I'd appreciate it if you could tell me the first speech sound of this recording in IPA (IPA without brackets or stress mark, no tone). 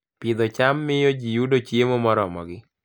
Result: p